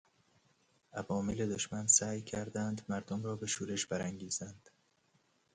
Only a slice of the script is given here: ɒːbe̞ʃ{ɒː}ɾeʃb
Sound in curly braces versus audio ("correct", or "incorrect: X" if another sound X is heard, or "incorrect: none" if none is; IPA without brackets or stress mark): incorrect: uː